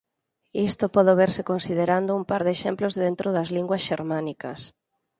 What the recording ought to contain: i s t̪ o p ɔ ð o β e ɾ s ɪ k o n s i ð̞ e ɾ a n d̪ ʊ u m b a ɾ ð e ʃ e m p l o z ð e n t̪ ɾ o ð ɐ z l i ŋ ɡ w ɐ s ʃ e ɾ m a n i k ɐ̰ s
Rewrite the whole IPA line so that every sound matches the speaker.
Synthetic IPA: i s t̪ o p ɔ ð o β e ɾ s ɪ k o n s i ð̞ e ɾ a n d̪ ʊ u m p a ɾ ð e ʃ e m p l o z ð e n t̪ ɾ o ð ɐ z l i ŋ ɡ w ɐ s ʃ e ɾ m a n i k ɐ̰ s

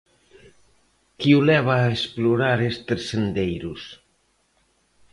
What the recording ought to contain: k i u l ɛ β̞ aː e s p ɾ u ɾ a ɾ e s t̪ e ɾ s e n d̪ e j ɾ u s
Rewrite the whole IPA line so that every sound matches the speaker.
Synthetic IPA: k i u l ɛ β̞ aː e s p l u ɾ a ɾ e s t̪ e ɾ s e n d̪ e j ɾ u s

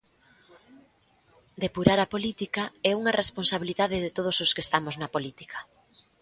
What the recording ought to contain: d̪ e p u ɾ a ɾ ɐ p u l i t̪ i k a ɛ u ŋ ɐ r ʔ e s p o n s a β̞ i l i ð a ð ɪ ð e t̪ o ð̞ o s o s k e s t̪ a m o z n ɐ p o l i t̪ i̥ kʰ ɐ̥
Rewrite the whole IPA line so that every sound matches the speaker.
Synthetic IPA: d̪ e p u ɾ a ɾ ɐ p o l i t̪ i k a ɛ u ŋ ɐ r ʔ e s p o n s a β̞ i l i ð a ð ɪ ð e t̪ o ð̞ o s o s k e s t̪ a m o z n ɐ p o l i t̪ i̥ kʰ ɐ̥

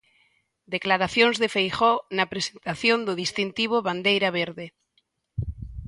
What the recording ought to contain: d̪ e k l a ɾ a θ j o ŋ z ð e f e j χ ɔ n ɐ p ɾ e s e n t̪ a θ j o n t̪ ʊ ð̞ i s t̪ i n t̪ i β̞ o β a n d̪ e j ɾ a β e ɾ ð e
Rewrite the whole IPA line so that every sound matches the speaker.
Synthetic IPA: d̪ e k l a ɾ a θ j o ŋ z ð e f e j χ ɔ n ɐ p ɾ e s e n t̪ a θ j o n d̪ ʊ ð̞ i s t̪ i n t̪ i β̞ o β a n d̪ e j ɾ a β e ɾ ð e

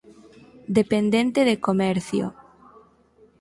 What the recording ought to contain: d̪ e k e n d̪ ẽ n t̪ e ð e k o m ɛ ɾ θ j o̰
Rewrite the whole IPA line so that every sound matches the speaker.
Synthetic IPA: d̪ e p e n d̪ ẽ n t̪ e ð e k o m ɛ ɾ θ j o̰

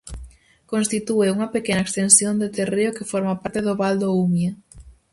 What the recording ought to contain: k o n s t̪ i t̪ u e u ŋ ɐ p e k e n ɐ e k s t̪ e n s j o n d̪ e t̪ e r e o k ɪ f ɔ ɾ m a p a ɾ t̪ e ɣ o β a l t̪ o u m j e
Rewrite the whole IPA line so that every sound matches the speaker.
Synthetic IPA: k o n s t̪ i t̪ u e u ŋ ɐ p e k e n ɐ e k s t̪ e n s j o n d̪ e t̪ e r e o k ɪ f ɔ ɾ m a p a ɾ t̪ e ð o β a l d̪ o u m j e

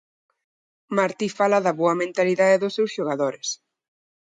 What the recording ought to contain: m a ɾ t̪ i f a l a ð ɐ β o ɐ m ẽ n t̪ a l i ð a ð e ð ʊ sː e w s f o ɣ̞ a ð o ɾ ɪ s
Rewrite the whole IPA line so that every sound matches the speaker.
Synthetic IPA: m a ɾ t̪ i f a l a ð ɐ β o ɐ m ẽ n t̪ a l i ð a ð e ð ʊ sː e w s ʃ o ɣ̞ a ð o ɾ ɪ s

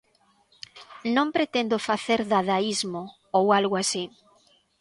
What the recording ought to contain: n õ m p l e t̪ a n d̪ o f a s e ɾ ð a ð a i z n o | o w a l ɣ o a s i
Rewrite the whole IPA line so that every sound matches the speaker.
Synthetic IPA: n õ m p ɾ e t̪ e n d̪ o f a θ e ɾ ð a ð a i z m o | o w a l ɣ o a s i

